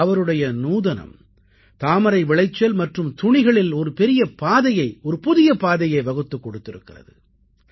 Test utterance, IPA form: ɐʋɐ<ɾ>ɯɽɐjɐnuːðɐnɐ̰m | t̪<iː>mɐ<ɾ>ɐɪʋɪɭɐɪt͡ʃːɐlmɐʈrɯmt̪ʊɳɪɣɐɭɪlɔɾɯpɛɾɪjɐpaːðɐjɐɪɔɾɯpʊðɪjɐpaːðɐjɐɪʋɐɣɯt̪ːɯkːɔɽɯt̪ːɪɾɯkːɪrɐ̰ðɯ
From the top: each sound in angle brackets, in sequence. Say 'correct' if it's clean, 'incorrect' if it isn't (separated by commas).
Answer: correct, incorrect, correct